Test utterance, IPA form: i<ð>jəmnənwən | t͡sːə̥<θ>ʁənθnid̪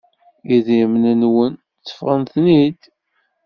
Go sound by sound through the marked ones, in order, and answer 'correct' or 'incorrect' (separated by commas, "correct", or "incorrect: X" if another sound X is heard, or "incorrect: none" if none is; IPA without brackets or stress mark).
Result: correct, incorrect: f